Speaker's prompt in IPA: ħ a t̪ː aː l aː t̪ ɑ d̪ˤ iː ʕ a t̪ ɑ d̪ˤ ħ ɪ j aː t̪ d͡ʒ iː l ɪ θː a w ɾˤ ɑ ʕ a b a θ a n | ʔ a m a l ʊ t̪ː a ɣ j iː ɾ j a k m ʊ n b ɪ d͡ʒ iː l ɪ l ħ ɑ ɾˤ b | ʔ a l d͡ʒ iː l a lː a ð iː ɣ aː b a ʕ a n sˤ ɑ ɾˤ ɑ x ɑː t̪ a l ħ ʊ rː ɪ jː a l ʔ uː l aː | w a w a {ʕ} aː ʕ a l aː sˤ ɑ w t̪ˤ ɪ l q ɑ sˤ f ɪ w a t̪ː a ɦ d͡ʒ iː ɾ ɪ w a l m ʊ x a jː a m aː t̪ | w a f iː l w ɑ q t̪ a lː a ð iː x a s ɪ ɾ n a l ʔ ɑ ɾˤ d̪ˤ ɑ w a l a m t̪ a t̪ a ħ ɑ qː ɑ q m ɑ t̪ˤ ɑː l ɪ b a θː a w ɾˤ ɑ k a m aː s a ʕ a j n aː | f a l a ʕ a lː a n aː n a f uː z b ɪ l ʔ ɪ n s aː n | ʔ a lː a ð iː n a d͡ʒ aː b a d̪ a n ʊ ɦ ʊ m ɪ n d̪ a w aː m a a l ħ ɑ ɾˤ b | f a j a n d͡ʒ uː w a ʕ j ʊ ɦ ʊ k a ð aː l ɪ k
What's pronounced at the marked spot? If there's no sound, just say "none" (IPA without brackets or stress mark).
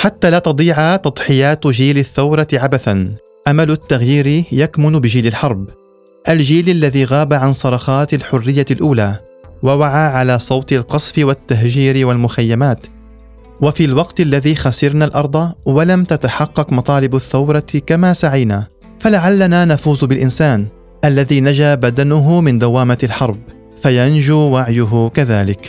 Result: ʕ